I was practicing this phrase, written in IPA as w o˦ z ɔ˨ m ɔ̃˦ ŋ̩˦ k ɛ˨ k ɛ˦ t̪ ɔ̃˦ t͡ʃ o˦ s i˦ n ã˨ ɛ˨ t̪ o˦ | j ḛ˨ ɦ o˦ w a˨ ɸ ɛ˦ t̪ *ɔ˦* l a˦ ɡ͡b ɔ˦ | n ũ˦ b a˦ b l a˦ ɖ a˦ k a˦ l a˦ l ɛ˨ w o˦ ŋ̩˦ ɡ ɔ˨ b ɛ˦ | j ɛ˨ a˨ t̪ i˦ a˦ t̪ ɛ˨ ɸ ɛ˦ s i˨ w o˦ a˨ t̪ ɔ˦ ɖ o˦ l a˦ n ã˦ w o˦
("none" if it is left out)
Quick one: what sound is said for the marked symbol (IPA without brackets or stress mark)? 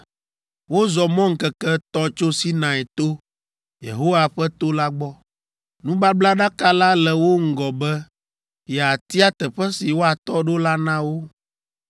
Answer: o˦